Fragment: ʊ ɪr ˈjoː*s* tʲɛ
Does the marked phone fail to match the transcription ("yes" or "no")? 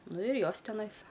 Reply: no